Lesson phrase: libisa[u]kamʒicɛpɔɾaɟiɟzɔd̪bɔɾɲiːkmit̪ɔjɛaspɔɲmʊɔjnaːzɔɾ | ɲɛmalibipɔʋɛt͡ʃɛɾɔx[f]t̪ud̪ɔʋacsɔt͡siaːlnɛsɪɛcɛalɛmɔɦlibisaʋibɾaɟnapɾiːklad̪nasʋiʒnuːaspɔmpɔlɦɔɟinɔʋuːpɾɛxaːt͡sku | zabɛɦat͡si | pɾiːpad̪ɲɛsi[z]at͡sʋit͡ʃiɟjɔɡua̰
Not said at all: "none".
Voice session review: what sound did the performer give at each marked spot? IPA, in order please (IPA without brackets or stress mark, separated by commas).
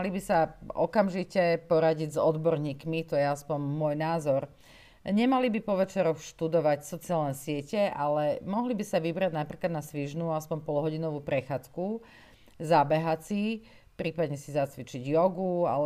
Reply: ɔ, ʃ, z